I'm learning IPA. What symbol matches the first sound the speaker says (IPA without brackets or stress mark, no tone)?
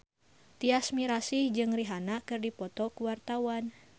t̪